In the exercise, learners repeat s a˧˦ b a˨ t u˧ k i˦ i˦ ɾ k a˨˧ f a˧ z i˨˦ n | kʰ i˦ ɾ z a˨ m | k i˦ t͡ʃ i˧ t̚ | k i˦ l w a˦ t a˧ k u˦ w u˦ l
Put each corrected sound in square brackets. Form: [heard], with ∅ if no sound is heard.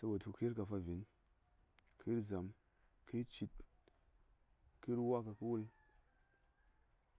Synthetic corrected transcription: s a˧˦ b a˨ t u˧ k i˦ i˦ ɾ k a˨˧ f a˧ [v] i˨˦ n | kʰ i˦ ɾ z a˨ m | k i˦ t͡ʃ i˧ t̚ | k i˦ [ɾ] w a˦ [k] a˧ k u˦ w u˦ l

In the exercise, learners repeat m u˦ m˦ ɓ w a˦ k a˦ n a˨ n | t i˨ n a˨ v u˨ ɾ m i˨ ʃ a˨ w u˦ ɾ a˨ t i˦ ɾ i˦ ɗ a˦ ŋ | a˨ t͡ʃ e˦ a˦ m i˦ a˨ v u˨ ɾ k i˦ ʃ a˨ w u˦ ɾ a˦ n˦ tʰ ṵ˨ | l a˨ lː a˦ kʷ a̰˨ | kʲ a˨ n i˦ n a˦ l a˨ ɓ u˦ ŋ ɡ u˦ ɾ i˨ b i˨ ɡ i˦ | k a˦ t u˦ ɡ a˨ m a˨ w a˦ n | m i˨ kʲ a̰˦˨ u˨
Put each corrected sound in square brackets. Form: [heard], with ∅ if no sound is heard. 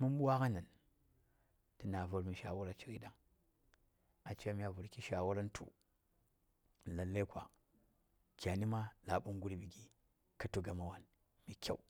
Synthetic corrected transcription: m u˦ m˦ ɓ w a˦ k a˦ n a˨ n | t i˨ n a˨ v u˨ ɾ m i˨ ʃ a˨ w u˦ ɾ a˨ [t͡ʃ] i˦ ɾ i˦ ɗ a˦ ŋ | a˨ t͡ʃ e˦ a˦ m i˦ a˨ v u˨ ɾ k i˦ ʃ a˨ w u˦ ɾ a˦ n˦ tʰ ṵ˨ | l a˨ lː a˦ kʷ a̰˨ | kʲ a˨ n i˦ [m] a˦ l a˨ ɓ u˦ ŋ ɡ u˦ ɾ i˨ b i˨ ɡ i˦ | k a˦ t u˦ ɡ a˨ m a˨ w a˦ n | m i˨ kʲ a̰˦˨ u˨

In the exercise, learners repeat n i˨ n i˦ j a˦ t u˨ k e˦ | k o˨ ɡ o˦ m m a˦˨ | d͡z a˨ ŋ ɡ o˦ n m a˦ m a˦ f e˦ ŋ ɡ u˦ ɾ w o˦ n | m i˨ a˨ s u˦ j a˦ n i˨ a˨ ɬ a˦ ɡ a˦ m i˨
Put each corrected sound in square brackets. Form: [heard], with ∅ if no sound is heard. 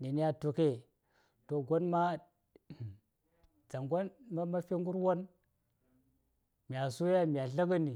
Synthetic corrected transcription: n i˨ n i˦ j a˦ t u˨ k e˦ | [t] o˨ ɡ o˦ [n] m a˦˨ | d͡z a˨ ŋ ɡ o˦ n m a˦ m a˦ f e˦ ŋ ɡ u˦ ɾ w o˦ n | m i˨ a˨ s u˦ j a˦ [m] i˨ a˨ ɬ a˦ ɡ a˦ [n] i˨

